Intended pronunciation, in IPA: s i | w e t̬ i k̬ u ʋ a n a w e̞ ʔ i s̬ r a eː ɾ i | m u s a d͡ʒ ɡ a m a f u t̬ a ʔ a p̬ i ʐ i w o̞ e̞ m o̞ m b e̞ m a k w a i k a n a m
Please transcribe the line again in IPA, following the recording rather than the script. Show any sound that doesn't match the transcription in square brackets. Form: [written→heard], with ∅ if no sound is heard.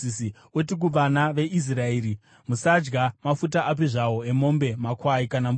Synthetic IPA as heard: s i | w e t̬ i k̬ u ʋ a n a [w→ʋ] e̞ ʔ i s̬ r a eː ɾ i | m u s a d͡ʒ ɡ a m a f u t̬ a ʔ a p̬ i ʐ [i→a] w o̞ e̞ m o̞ m b e̞ m a k w a i k a n a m

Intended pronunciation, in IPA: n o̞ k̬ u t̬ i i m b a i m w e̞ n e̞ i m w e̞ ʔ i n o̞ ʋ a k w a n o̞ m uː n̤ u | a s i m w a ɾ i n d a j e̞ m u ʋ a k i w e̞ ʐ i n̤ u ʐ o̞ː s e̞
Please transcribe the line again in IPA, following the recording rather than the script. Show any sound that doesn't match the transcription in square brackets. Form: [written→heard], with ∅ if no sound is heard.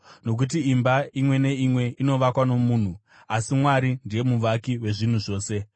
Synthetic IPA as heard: n o̞ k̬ u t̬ i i m b a i m w e̞ n e̞ i m w e̞ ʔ i n o̞ ʋ a k w a n o̞ m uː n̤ u | a s i m w a ɾ i n d [a→i] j e̞ m u ʋ a k i w e̞ ʐ i n̤ u ʐ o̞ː s e̞

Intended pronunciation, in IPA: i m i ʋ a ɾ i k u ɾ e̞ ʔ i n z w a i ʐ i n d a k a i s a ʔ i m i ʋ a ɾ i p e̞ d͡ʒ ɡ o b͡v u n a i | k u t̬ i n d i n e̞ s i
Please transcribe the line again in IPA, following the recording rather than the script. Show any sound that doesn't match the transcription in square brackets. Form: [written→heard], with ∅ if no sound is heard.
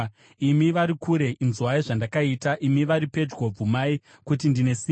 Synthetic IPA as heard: i m i ʋ a ɾ i k u ɾ e̞ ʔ i n z w a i ʐ [i→a] n d a k a i [s→t] a ʔ i m i ʋ a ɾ i p e̞ d͡ʒ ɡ o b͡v u [n→m] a i | k u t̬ i n d i n e̞ s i

